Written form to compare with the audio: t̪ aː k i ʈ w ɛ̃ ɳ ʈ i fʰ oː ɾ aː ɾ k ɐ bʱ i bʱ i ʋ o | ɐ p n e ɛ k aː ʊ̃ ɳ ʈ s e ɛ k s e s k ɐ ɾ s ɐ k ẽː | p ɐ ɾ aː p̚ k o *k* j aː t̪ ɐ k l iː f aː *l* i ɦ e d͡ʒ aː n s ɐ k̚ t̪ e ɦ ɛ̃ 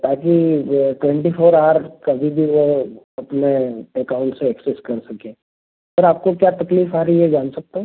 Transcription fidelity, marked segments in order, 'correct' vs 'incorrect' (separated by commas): correct, incorrect